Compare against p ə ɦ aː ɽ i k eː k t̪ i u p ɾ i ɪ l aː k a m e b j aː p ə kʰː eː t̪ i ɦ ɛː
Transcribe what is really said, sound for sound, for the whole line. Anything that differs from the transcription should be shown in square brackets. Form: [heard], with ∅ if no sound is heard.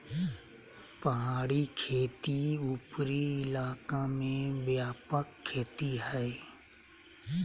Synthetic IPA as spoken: p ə ɦ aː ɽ i [kʰ] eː [∅] t̪ i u p ɾ i ɪ l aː k a m [ẽ] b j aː p ə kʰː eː t̪ i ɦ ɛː